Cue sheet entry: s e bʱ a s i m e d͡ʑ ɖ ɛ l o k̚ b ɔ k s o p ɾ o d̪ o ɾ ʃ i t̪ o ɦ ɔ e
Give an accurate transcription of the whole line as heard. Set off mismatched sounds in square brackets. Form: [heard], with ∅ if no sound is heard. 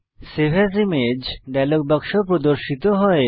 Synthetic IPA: s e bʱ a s i m e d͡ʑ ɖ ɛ l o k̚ b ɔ k [ʃ] o p ɾ o d̪ o ɾ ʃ i t̪ o ɦ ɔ e